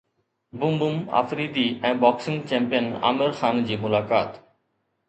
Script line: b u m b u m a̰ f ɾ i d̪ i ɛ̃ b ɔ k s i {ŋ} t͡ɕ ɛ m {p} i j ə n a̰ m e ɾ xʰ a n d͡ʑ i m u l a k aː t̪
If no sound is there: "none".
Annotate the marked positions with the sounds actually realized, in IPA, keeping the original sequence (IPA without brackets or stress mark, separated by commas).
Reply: ŋ, p